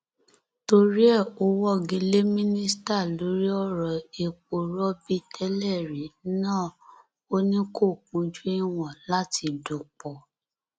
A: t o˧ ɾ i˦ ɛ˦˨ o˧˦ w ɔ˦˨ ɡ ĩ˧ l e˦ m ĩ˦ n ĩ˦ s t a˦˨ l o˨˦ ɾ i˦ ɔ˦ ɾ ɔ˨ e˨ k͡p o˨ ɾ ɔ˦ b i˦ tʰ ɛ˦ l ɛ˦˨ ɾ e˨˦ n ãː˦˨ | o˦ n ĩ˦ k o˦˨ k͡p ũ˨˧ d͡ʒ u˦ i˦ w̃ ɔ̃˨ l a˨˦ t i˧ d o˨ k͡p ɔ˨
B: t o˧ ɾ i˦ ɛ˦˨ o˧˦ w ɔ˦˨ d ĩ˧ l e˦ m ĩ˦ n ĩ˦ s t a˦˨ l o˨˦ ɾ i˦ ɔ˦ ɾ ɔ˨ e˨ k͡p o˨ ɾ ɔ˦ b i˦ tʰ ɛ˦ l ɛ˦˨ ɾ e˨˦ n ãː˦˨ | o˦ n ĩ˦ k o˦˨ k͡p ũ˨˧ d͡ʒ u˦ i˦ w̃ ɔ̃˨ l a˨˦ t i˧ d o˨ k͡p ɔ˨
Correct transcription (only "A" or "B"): A